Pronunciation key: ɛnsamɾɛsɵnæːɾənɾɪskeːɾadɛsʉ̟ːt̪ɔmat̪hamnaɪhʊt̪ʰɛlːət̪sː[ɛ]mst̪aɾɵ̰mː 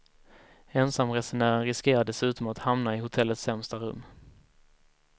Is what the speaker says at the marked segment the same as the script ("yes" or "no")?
yes